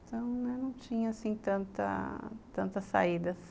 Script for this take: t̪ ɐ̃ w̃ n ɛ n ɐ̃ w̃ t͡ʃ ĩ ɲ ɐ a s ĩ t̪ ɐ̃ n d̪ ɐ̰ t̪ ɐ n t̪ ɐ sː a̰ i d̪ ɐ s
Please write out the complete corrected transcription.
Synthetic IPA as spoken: t̪ ɐ̃ w̃ n ɛ n ɐ̃ w̃ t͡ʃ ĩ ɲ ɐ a s ĩ t̪ ɐ̃ n t̪ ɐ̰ t̪ ɐ̃ n t̪ ɐ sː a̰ i d̪ ɐ s